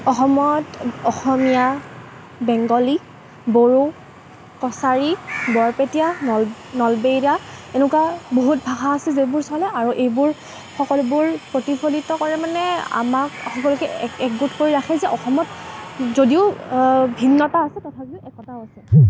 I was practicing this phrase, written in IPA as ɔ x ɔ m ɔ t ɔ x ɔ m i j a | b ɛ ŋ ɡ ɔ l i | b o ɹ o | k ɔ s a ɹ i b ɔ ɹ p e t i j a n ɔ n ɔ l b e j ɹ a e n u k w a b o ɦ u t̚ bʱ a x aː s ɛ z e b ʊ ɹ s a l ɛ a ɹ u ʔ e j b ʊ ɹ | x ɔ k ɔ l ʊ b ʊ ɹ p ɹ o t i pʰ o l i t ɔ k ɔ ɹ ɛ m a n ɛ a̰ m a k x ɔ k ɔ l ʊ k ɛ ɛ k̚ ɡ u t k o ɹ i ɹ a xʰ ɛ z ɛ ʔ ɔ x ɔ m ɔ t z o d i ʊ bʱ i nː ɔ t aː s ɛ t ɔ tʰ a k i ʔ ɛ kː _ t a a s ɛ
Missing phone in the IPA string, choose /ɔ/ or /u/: ɔ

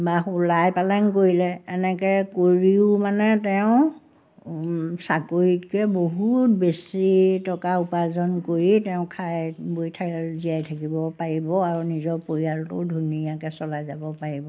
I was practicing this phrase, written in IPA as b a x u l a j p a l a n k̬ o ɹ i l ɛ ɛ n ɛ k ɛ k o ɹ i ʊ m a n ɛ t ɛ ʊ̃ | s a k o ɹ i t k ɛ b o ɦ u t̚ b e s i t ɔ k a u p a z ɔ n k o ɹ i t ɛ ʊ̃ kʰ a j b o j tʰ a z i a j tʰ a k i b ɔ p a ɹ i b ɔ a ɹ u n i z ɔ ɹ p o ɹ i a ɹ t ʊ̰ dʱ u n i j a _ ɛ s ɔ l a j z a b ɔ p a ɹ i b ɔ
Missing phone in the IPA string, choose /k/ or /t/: k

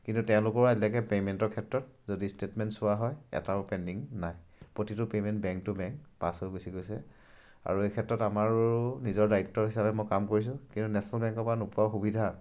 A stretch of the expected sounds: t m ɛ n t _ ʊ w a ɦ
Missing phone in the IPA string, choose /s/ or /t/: s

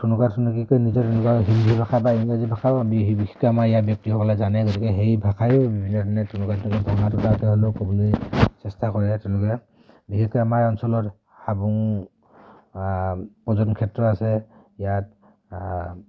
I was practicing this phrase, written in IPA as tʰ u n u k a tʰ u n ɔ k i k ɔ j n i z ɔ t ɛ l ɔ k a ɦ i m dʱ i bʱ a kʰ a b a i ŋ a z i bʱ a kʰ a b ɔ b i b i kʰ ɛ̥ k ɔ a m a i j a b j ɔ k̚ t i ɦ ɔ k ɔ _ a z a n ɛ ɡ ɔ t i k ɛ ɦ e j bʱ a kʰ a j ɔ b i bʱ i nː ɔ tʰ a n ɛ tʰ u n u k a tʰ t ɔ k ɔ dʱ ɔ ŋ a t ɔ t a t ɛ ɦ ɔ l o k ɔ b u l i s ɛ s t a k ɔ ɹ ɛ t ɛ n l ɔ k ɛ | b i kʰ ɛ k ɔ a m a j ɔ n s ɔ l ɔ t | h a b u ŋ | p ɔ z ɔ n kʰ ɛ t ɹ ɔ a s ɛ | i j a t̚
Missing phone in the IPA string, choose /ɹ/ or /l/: l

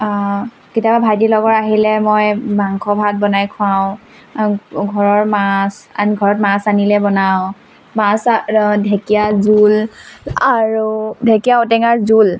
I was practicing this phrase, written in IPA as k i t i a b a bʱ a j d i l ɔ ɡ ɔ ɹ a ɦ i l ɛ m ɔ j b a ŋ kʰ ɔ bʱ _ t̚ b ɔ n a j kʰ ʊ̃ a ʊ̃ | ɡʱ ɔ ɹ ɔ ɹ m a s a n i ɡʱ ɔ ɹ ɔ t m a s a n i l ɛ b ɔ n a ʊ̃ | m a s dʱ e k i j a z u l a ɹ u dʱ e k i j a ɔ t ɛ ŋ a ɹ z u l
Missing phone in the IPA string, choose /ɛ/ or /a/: a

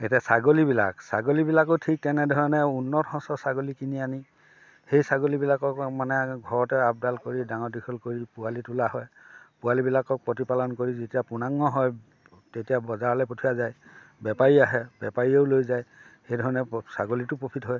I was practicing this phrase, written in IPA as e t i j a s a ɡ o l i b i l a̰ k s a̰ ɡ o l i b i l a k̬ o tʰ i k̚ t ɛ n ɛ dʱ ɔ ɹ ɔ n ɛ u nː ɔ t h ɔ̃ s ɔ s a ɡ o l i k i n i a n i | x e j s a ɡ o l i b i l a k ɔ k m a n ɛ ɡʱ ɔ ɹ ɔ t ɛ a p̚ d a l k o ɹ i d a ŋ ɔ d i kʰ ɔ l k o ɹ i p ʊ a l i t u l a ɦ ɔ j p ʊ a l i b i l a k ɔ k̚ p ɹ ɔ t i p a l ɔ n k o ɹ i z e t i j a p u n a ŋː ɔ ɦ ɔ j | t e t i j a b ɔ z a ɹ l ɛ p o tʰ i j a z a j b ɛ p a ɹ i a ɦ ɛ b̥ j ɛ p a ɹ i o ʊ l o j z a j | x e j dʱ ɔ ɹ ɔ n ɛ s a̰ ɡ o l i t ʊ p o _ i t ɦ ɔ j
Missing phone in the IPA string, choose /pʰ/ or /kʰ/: pʰ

